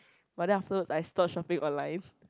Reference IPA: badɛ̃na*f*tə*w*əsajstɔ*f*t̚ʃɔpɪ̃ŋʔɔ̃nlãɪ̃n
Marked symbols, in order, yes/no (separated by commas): yes, yes, no